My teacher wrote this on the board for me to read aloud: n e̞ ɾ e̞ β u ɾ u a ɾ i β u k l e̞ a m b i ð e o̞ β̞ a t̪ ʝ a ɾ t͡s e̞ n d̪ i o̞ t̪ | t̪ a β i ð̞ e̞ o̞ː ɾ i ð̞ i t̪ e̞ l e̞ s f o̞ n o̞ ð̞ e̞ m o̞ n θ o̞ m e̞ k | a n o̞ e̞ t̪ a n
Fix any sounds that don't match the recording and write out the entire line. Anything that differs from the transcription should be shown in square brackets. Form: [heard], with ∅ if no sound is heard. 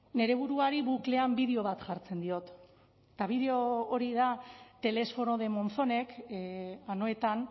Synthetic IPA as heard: n e̞ ɾ e̞ β u ɾ u a ɾ i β u k l e̞ a m b i ð e o̞ β̞ a t̪ ʝ a ɾ t͡s e̞ n d̪ i o̞ t̪ | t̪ a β i ð̞ e̞ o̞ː ɾ i ð̞ [a] t̪ e̞ l e̞ s f o̞ n o̞ ð̞ e̞ m o̞ n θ o̞ [n] e̞ k | a n o̞ e̞ t̪ a n

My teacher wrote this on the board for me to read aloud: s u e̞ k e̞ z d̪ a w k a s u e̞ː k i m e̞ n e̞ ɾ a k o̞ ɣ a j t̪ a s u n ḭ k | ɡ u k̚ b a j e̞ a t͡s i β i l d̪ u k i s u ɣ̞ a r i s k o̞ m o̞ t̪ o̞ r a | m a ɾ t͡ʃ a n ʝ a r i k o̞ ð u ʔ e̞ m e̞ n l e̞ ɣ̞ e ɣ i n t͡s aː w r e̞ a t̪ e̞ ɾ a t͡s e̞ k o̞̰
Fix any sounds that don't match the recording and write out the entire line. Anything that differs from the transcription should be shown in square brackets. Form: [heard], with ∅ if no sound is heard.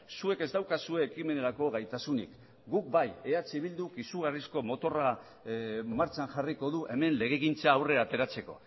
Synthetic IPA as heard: s u e̞ k e̞ z d̪ a w k a s u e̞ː k i m e̞ n e̞ ɾ a k o̞ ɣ a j t̪ a s u n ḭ k | ɡ u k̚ b a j e̞ a t͡s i β i l d̪ u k i s u ɣ̞ a r i s k o̞ m o̞ t̪ o̞ r a | m a ɾ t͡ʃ a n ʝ a r i k o̞ ð u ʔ e̞ m e̞ n l e̞ ɣ̞ e ɣ i n t͡s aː w r e̞ a t̪ e̞ ɾ a t͡s e̞ k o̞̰

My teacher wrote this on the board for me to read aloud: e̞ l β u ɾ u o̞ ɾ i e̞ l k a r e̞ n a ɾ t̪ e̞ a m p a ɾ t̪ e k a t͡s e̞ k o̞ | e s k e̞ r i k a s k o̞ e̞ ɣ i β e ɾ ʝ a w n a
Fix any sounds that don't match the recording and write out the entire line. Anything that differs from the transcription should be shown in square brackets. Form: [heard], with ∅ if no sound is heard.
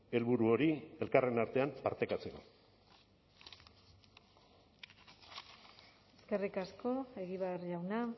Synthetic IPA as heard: e̞ l β u ɾ u o̞ ɾ i e̞ l k a r e̞ n a ɾ t̪ e̞ a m p a ɾ t̪ e k a t͡s e̞ k o̞ | e s k e̞ r i k a s k o̞ e̞ ɣ i β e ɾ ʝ a w n a

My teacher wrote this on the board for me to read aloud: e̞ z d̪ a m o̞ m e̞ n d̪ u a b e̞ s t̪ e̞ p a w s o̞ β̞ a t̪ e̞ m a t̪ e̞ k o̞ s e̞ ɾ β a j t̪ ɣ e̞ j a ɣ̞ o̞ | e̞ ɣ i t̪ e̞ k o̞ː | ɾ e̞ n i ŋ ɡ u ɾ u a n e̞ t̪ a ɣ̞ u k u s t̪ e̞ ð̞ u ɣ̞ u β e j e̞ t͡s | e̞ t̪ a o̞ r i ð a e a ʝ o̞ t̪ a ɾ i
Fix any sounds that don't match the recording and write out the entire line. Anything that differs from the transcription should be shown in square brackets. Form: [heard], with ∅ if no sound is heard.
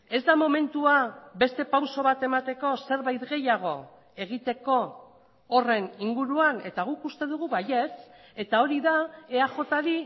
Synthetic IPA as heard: e̞ z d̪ a m o̞ m e̞ n [t̪] u a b e̞ s t̪ e̞ p a w s o̞ β̞ a t̪ e̞ m a t̪ e̞ k o̞ s e̞ ɾ β a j t̪ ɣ e̞ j a ɣ̞ o̞ | e̞ ɣ i t̪ e̞ k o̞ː | [r] e̞ n i ŋ ɡ u ɾ u a n e̞ t̪ a ɣ̞ u k u s t̪ e̞ ð̞ u ɣ̞ u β [a] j e̞ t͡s | e̞ t̪ a o̞ [ɾ] i ð a e a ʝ o̞ t̪ a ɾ i

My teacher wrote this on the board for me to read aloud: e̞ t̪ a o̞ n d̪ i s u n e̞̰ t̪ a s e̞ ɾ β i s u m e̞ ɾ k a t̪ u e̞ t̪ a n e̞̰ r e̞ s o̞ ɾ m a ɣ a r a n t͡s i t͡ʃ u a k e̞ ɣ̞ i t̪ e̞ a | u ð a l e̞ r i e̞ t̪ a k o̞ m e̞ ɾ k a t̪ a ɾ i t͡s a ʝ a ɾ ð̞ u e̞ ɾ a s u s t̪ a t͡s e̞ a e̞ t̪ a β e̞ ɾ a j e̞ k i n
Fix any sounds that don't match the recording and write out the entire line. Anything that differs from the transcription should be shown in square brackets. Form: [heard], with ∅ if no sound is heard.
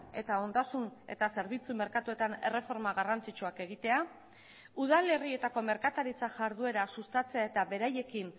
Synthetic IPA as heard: e̞ t̪ a o̞ n d̪ [a] s u n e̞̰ t̪ a s e̞ ɾ β i [t͡s] u m e̞ ɾ k a t̪ u e̞ t̪ a n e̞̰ r e̞ [f] o̞ ɾ m a ɣ a r a n t͡s i t͡ʃ u a k e̞ ɣ̞ i t̪ e̞ a | u ð a l e̞ r i e̞ t̪ a k o̞ m e̞ ɾ k a t̪ a ɾ i t͡s a ʝ a ɾ ð̞ u e̞ ɾ a s u s t̪ a t͡s e̞ a e̞ t̪ a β e̞ ɾ a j e̞ k i n

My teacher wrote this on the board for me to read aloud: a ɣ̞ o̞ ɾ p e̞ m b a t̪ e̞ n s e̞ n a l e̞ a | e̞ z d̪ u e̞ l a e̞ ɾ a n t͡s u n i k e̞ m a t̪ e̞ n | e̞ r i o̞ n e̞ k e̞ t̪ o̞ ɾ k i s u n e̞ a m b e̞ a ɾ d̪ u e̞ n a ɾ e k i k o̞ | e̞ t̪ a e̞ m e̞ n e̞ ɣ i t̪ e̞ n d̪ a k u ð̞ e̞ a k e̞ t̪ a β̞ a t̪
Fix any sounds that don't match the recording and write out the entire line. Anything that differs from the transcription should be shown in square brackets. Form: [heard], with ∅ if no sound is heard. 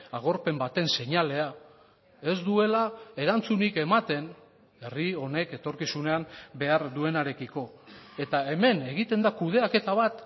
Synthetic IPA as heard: a ɣ̞ o̞ ɾ p e̞ m b a t̪ e̞ n s e̞ [ɲ] a l e̞ a | e̞ z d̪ u e̞ l a e̞ ɾ a n t͡s u n i k e̞ m a t̪ e̞ n | e̞ r i o̞ n e̞ k e̞ t̪ o̞ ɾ k i s u n e̞ a m b e̞ a ɾ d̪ u e̞ n a ɾ e k i k o̞ | e̞ t̪ a e̞ m e̞ n e̞ ɣ i t̪ e̞ n d̪ a k u ð̞ e̞ a k e̞ t̪ a β̞ a t̪

